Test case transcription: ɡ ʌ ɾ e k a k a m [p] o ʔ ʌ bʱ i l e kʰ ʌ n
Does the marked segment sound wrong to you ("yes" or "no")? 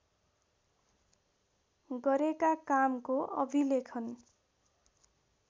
yes